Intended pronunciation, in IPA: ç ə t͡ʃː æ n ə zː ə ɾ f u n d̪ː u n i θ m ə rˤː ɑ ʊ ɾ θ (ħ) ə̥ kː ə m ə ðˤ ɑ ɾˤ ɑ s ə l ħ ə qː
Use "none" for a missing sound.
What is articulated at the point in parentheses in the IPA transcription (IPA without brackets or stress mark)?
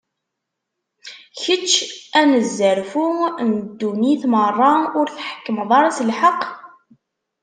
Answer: ħ